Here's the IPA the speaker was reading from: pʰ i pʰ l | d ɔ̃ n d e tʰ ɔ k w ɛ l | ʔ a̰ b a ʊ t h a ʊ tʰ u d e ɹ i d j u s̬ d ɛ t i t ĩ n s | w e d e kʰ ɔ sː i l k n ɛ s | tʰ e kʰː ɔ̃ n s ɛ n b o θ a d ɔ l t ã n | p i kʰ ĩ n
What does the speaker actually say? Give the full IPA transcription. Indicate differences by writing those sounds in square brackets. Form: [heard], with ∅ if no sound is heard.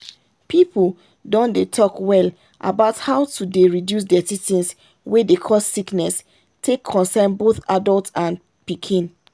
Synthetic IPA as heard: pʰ i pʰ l | d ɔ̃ n d e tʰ ɔ k w ɛ l | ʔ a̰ b a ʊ t h a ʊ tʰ u d e ɹ i d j u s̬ d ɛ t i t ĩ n s | w e d e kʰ ɔ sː i [∅] k n ɛ s | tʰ e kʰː ɔ̃ n s ɛ n b o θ a d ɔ l t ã n | p i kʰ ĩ n